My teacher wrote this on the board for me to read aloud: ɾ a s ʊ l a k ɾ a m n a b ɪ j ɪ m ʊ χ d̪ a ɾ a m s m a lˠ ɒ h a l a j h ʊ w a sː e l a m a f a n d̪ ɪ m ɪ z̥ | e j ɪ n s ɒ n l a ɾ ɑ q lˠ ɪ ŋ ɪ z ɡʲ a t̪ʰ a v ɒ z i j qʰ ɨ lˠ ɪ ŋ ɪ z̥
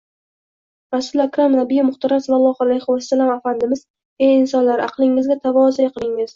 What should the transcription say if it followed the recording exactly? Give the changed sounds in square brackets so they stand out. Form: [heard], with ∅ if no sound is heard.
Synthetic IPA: ɾ a s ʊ l a k ɾ a m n a b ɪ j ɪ m ʊ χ [t̪] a ɾ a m s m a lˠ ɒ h a l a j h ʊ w a sː [a] l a m a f a n d̪ ɪ m ɪ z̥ | e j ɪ n s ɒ n l a ɾ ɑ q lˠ ɪ ŋ ɪ z ɡʲ a t̪ʰ a v ɒ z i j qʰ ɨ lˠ ɪ ŋ ɪ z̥